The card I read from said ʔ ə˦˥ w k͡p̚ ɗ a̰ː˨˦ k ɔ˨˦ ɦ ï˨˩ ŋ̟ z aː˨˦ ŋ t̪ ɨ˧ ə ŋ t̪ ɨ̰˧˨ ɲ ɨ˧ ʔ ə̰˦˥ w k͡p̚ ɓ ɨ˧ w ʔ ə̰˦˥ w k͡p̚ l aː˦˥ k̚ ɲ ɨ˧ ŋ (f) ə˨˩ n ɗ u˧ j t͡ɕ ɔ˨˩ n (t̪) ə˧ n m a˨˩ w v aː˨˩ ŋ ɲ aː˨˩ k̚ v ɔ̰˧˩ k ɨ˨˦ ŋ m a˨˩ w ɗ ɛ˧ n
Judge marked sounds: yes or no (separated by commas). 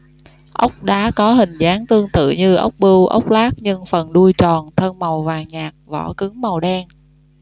yes, no